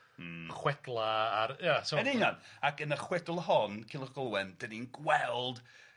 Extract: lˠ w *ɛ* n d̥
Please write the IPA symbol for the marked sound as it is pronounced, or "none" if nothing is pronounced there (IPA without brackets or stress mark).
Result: ɛ